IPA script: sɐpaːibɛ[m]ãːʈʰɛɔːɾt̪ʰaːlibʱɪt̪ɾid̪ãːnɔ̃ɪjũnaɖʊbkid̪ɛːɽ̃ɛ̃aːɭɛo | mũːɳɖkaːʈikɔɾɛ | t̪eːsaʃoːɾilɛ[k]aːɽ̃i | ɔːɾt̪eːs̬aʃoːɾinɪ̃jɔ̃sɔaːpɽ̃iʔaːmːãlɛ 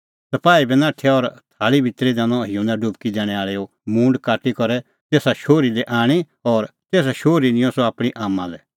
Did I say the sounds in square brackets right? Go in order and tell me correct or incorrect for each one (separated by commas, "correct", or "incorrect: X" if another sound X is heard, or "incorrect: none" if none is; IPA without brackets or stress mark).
incorrect: n, incorrect: ʔ